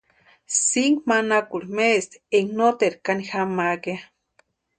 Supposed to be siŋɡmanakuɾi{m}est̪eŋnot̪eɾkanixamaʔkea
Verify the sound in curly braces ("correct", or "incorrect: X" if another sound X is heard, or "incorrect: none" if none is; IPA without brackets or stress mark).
correct